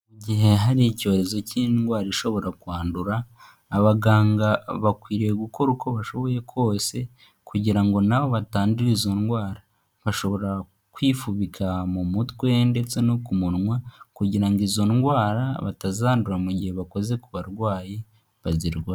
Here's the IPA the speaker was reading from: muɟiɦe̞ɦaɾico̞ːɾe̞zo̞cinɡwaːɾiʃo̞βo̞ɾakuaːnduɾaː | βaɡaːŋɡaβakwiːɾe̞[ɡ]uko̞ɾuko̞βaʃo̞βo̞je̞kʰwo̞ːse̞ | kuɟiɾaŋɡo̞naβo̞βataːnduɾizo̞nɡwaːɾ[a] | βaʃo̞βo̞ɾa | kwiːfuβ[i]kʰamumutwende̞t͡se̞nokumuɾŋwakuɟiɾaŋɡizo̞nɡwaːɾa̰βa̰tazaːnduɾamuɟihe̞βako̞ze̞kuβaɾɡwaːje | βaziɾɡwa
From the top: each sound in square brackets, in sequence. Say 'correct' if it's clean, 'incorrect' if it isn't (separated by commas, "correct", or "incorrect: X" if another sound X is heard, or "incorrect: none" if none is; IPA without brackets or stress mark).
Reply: correct, correct, correct